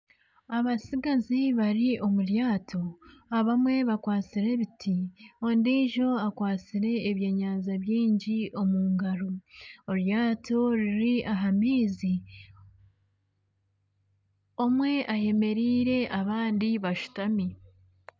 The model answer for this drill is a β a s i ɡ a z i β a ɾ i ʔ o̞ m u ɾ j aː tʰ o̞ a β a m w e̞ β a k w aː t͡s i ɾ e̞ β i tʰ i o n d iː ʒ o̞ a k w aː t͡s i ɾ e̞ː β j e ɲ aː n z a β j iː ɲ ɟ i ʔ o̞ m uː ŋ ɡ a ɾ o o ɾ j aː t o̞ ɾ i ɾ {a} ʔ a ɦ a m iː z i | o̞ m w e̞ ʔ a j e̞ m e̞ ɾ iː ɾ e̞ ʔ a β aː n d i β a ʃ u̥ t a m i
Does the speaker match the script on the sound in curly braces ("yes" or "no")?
no